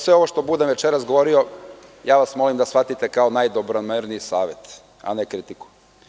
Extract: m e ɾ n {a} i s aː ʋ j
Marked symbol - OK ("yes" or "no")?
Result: no